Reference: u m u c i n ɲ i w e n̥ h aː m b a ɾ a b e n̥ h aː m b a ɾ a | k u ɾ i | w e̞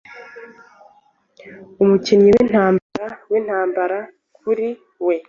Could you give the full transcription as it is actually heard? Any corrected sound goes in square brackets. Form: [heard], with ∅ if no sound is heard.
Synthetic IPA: u m u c i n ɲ i w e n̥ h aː m b a ɾ a [w] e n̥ h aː m b a ɾ a | k u ɾ i | w e̞